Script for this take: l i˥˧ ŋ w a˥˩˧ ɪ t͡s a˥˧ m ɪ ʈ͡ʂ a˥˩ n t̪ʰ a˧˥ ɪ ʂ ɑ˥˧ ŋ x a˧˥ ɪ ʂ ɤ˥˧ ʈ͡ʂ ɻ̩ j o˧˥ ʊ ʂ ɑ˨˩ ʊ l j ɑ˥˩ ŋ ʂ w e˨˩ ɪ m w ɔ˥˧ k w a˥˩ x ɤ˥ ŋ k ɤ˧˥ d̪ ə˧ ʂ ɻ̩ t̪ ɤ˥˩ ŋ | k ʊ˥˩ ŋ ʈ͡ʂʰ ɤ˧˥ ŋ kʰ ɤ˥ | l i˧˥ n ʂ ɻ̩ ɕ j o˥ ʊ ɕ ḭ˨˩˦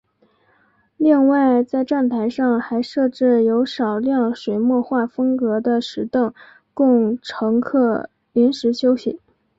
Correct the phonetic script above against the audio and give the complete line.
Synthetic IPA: l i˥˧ ŋ w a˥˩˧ ɪ t͡s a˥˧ ɪ ʈ͡ʂ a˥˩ n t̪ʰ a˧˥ ɪ ʂ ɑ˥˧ ŋ x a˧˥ ɪ ʂ ɤ˥˧ ʈ͡ʂ ɻ̩ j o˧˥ ʊ ʂ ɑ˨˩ ʊ l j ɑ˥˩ ŋ ʂ w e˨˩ ɪ m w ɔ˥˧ x w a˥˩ f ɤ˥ ŋ k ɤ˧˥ d̪ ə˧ ʂ ɻ̩ t̪ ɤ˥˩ ŋ | k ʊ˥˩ ŋ ʈ͡ʂʰ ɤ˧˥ ŋ kʰ ɤ˥˩ | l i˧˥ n ʂ ɻ̩ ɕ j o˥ ʊ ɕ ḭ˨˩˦